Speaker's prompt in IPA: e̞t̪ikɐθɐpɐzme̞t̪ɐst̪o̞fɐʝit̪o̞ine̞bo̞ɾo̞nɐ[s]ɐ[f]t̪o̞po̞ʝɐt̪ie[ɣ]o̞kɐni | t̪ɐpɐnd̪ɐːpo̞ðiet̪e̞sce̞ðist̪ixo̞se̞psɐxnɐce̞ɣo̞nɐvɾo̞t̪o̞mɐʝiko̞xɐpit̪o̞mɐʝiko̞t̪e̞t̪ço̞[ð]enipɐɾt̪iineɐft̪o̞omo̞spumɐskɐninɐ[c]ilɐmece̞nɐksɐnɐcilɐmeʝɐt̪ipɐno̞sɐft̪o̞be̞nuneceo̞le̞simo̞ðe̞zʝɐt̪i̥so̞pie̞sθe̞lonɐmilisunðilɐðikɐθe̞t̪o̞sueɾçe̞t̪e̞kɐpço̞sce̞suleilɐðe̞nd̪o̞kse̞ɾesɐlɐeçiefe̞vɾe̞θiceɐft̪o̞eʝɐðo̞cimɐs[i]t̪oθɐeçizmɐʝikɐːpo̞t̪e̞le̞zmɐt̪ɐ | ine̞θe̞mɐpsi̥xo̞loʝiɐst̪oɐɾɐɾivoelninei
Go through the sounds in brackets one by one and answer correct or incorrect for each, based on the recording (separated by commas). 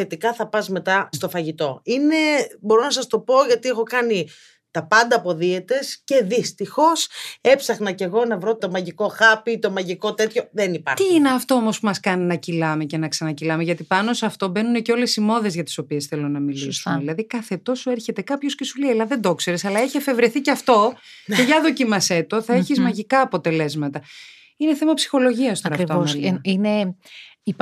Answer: correct, incorrect, incorrect, correct, correct, incorrect